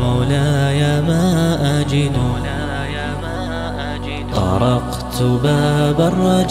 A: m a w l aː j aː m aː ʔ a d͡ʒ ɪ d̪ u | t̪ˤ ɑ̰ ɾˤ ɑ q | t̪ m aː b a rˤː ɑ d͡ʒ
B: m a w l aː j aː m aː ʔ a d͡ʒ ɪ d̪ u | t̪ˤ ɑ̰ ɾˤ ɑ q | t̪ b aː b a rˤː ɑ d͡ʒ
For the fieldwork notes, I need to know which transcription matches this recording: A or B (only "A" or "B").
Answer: B